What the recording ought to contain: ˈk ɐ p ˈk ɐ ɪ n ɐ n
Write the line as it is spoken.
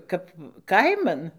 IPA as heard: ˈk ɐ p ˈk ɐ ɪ m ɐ n